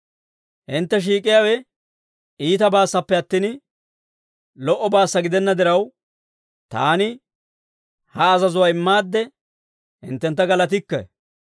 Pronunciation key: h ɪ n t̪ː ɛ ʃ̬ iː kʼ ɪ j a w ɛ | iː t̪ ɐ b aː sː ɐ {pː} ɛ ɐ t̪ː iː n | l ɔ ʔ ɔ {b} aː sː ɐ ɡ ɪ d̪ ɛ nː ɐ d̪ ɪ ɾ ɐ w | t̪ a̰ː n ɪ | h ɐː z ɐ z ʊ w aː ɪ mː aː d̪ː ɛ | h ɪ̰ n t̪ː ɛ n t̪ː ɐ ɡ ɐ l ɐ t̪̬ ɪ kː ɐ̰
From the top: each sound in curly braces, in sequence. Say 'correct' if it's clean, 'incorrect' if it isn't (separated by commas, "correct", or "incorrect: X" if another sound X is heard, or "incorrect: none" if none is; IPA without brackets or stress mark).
correct, correct